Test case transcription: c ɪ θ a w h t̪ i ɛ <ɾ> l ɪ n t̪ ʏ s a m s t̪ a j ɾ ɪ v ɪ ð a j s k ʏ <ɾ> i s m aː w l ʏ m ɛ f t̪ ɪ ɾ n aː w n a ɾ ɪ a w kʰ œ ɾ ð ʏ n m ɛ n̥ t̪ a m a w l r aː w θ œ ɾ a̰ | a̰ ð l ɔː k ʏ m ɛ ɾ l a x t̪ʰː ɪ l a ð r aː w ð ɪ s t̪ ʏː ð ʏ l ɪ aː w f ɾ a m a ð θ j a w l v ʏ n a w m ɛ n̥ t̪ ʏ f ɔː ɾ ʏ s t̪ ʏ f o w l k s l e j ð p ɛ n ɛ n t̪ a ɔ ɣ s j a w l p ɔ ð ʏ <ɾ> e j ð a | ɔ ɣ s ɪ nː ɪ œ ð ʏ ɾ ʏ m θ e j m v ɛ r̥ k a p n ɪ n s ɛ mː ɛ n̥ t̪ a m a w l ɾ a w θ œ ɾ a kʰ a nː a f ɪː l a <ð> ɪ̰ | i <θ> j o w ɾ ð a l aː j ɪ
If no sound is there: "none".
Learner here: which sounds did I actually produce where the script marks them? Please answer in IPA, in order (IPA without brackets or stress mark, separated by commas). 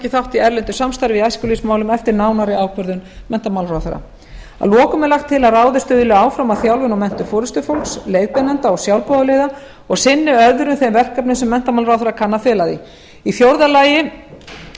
ɾ, l, l, ð, θ